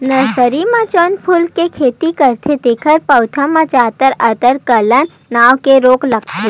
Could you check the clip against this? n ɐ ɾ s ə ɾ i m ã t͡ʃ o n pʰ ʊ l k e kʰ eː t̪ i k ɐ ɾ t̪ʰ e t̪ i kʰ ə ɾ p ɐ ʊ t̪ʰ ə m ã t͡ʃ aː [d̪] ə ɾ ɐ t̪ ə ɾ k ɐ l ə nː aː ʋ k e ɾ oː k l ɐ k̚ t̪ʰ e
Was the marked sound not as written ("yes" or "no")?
yes